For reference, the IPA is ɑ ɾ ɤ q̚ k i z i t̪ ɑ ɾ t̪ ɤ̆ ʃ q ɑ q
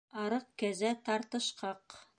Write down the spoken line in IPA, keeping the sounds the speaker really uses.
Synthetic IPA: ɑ ɾ ɤ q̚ k æ z æ t̪ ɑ ɾ t̪ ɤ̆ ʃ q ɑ q

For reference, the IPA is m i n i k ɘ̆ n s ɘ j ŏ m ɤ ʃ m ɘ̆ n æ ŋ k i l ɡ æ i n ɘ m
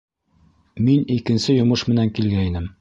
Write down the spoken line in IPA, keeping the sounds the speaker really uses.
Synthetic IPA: m i n i k ɘ̆ n s ɘ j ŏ m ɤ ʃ m ɘ̆ n æ ŋ k i l ɡ æ i n ɘ m

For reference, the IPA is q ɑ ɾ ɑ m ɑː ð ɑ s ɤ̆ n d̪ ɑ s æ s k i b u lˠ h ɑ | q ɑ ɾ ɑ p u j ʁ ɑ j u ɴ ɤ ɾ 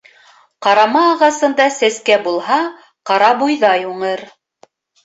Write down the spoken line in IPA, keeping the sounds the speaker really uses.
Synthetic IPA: q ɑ ɾ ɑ m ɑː ʁ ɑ s ɤ̆ n d̪ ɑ s æ s k æ b u lˠ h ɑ | q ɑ ɾ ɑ b u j ð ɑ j u ɴ ɤ ɾ

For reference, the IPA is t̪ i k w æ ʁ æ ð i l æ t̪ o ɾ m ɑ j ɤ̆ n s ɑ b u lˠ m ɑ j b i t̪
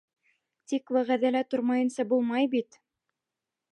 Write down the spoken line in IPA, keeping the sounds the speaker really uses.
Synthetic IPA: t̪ i k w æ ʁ æ ð æ l æ t̪ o ɾ m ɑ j ɤ̆ n s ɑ b u lˠ m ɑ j b i t̪

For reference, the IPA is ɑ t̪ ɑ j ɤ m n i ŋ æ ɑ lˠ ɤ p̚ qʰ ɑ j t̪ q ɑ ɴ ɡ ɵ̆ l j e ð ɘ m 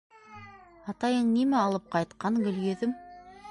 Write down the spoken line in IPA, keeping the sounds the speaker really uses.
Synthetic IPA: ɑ t̪ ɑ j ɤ ɴ n i m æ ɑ lˠ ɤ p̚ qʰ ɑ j t̪ q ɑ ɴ ɡ ɵ̆ l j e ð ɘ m

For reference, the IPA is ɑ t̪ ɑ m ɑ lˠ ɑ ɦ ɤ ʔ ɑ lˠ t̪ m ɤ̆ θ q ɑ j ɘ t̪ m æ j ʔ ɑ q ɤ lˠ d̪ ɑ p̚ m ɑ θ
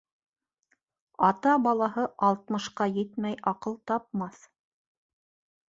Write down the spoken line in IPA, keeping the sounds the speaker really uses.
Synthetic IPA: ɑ t̪ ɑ b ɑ lˠ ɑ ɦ ɤ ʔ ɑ lˠ t̪ m ɤ̆ ʃ q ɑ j ɘ t̪ m æ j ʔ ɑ q ɤ lˠ t̪ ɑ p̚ m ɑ θ

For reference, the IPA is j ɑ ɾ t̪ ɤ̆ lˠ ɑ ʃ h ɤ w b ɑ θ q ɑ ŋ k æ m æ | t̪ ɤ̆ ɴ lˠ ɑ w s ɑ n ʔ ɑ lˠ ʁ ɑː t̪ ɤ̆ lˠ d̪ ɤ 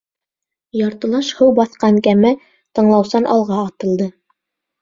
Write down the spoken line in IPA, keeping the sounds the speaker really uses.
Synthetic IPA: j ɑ ɾ t̪ ɤ̆ lˠ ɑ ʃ h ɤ w b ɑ θ q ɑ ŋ k æ m æ | t̪ ɤ̆ ɴ lˠ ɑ w s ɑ n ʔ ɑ lˠ ʁ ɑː t̪ ɤ̆ lˠ d̪ ɤ

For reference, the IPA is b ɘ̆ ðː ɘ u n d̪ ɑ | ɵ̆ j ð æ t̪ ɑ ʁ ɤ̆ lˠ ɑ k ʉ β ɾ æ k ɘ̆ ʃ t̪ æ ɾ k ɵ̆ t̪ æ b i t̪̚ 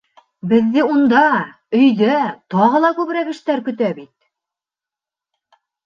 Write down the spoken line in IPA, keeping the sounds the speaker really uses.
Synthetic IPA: b ɘ̆ ðː ɘ u n d̪ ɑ | ɵ̆ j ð æ t̪ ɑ ʁ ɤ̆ lˠ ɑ k ʉ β ɾ æ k ɘ̆ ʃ t̪ æ ɾ k ɵ̆ t̪ æ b i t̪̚

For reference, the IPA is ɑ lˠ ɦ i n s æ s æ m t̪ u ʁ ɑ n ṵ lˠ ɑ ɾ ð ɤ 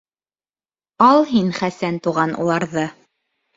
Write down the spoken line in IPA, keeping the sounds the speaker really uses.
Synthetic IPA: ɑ lˠ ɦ i n χ æ s æ n t̪ u ʁ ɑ n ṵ lˠ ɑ ɾ ð ɤ

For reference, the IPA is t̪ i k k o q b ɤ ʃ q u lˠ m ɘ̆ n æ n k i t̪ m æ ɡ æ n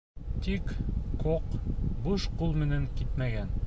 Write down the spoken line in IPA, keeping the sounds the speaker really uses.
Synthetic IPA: t̪ i k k o q b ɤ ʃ q u lˠ m ɘ̆ n æ ŋ k i t̪ m æ ɡ æ n

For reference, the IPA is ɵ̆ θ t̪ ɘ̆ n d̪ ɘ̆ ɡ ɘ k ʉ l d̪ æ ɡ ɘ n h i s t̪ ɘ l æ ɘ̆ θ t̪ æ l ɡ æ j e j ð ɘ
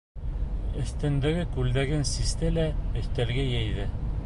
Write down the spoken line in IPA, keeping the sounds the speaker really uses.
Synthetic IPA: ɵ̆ θ t̪ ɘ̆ n d̪ ɘ̆ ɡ ɘ k ʉ l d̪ æ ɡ ɘ n s i s t̪ ɘ l æ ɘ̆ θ t̪ æ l ɡ æ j æ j ð ɘ

